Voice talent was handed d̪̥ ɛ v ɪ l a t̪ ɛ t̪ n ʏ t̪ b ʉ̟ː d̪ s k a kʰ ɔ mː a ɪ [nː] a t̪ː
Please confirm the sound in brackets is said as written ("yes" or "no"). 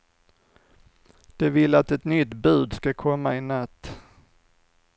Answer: no